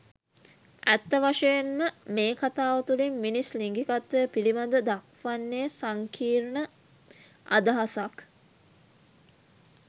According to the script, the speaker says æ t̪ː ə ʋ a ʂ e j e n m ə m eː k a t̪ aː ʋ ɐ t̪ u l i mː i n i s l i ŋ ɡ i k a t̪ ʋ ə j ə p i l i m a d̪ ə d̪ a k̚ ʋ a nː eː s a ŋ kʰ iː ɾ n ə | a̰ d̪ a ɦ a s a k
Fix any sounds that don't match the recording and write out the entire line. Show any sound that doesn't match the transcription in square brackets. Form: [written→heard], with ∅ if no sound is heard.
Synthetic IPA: æ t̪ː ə ʋ a ʂ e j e n m ə m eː k a t̪ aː ʋ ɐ t̪ u l i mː i n i s l i ŋ ɡ i k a t̪ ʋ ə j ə p i l i m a d̪ ə d̪ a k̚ ʋ a nː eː s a ŋ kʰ iː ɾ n ə | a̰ d̪ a ɦ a s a k